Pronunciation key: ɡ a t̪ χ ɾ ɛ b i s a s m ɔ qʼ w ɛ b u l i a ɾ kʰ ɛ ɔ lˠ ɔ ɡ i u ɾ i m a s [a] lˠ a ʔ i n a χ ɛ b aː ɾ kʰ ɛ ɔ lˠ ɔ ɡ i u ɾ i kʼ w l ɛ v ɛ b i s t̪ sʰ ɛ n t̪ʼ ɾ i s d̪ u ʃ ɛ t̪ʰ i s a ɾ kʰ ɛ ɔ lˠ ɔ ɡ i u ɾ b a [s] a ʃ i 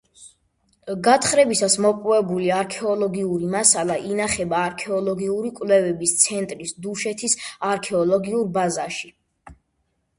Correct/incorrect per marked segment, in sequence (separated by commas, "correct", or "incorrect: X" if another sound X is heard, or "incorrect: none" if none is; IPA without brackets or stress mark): correct, incorrect: z